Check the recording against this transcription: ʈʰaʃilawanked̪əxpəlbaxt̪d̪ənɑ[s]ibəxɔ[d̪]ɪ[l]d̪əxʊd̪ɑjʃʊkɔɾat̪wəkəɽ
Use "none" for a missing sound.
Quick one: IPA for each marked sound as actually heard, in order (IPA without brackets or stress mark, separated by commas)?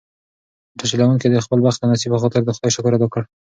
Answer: s, t̪, ɾ